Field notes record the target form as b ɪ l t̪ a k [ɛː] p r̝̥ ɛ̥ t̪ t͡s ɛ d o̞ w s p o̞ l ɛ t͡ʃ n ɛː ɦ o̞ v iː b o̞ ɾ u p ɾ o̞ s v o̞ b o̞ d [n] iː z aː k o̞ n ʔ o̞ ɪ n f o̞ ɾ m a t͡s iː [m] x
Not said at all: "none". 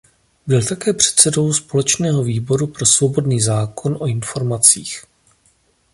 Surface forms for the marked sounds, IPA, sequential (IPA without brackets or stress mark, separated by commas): ɛː, n, none